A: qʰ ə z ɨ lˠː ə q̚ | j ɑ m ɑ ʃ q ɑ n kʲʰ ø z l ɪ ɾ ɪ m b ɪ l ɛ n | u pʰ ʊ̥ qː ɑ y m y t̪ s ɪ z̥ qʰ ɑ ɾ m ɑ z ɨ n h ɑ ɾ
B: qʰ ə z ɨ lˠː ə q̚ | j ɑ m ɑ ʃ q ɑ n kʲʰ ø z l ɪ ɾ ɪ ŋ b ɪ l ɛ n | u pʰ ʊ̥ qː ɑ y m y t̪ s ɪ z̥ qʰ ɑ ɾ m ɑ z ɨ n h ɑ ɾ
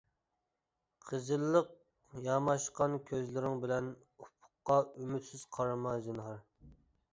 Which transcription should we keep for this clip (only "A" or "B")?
B